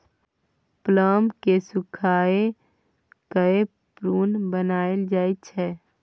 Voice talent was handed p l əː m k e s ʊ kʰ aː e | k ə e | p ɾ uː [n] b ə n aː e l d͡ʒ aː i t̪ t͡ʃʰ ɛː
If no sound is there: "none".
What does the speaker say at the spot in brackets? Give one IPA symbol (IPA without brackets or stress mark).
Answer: n